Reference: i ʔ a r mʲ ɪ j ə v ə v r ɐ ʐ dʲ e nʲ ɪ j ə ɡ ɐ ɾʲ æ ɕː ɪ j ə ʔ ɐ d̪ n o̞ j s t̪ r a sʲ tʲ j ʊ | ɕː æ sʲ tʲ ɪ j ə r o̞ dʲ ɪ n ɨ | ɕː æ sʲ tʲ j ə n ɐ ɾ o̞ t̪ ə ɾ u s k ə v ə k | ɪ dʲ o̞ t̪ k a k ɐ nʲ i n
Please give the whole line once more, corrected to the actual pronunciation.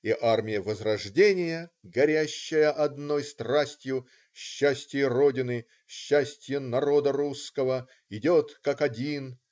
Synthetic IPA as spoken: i ʔ a r mʲ ɪ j ə v ə z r ɐ ʐ dʲ e nʲ ɪ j ə ɡ ɐ ɾʲ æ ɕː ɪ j ə ʔ ɐ d̪ n o̞ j s t̪ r a sʲ tʲ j ʊ | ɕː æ sʲ tʲ ɪ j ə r o̞ dʲ ɪ n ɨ | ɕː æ sʲ tʲ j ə n ɐ ɾ o̞ d̪ ə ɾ u s k ə v ə | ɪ dʲ o̞ t̪ k a k ɐ dʲ i n

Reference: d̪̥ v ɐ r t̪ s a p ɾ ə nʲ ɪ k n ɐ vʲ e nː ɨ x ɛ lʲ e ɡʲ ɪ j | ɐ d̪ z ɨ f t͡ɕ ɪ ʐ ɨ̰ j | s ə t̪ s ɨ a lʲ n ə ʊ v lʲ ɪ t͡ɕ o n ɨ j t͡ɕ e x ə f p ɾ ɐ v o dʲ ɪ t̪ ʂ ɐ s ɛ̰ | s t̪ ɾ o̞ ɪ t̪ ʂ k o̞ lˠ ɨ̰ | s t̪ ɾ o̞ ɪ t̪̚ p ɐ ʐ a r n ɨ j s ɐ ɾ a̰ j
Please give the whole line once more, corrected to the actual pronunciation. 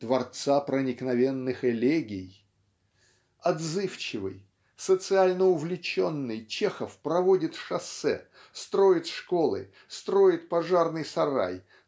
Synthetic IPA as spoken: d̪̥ v ɐ r t̪ s a p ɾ ə nʲ ɪ k n ɐ vʲ e nː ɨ x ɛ lʲ e ɡʲ ɪ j | ɐ d̪ z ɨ f t͡ɕ ɪ v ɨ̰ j | s ə t̪ s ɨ a lʲ n ə ʊ v lʲ ɪ t͡ɕ o nː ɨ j t͡ɕ e x ə f p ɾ ɐ v o dʲ ɪ t̪ ʂ ɐ s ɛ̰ | s t̪ ɾ o̞ ɪ t̪ ʂ k o̞ lˠ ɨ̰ | s t̪ ɾ o̞ ɪ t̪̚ p ɐ ʐ a r n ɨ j s ɐ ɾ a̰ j

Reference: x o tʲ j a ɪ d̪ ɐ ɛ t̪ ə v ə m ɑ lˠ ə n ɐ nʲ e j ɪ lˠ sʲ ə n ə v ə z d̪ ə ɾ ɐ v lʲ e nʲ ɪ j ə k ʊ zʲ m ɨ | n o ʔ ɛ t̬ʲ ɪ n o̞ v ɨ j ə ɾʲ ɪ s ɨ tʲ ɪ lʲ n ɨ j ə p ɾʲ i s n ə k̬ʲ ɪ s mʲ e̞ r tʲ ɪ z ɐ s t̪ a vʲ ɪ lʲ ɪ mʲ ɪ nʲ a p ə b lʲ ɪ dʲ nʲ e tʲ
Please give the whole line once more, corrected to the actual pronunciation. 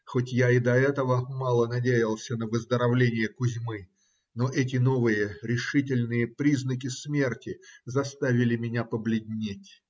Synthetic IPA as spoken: x o tʲ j a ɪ d̪ ɐ ɛ t̪ ə v ə m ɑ lˠ ə n ɐ dʲ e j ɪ lˠ sʲ ə n ə v ə z d̪ ə ɾ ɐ v lʲ e nʲ ɪ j ə k ʊ zʲ m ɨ | n o ʔ ɛ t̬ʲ ɪ n o̞ v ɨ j ə ɾʲ ɪ ʂ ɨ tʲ ɪ lʲ n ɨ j ə p ɾʲ i z n ə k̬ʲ ɪ s mʲ e̞ r tʲ ɪ z ɐ s t̪ a vʲ ɪ lʲ ɪ mʲ ɪ nʲ a p ə b lʲ ɪ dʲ nʲ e tʲ

